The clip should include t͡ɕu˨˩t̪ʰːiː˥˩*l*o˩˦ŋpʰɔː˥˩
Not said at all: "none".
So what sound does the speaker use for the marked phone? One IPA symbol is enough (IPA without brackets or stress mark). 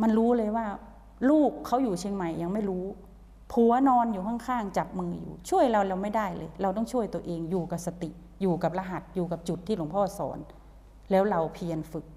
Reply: l